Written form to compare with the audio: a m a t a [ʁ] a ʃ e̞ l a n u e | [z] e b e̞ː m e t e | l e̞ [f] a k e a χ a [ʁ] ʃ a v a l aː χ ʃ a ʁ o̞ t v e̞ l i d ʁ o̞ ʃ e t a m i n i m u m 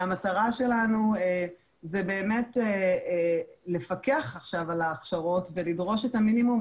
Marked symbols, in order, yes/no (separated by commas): yes, yes, yes, no